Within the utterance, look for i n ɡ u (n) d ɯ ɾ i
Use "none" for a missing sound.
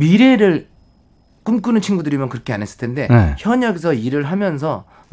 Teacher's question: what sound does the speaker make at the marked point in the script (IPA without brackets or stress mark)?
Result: none